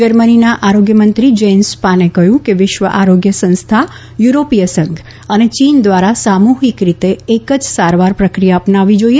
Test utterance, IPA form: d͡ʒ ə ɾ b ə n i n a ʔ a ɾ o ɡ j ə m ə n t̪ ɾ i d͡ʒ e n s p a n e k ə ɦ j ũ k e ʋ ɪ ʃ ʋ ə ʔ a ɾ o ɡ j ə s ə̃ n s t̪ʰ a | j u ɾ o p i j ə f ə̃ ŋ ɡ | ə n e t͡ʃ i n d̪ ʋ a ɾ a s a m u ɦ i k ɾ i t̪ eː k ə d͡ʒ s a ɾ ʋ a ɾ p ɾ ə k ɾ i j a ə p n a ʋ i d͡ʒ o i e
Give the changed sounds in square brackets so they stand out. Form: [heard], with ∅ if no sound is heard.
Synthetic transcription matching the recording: d͡ʒ ə ɾ [m] ə n i n a ʔ a ɾ o ɡ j ə m ə n t̪ ɾ i d͡ʒ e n s p a n e k ə ɦ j ũ k e ʋ ɪ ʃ ʋ ə ʔ a ɾ o ɡ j ə s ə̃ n s t̪ʰ a | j u ɾ o p i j ə [s] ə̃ ŋ ɡ | ə n e t͡ʃ i n d̪ ʋ a ɾ a s a m u ɦ i k ɾ i t̪ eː k ə d͡ʒ s a ɾ ʋ a ɾ p ɾ ə k ɾ i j a ə p n a ʋ i d͡ʒ o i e